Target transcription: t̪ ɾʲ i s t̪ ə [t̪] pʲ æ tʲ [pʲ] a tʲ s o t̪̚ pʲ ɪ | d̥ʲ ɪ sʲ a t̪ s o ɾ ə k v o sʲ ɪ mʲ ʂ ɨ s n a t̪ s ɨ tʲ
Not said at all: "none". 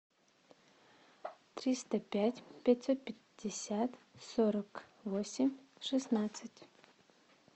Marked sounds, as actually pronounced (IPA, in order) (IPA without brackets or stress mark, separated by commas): none, pʲ